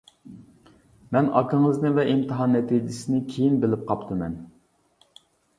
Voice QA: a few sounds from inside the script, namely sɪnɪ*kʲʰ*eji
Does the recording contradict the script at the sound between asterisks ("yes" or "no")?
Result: no